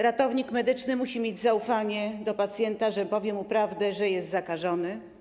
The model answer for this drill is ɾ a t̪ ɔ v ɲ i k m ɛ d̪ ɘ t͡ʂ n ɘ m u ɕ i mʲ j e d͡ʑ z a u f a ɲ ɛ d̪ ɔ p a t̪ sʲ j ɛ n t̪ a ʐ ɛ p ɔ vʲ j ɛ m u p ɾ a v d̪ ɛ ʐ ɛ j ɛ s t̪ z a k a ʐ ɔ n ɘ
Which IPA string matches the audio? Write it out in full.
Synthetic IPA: ɾ a t̪ ɔ v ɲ i k m ɛ d̪ ɘ t͡ʂ n ɘ m u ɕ i mʲ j e d͡ʑ z a u f a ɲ ɛ d̪ ɔ p a t̪ sʲ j ɛ n t̪ a ʐ ɛ p ɔ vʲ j ɛ m u p ɾ a v d̪ ɛ ʐ ɛ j ɛ s t̪ z a k a ʐ ɔ n ɘ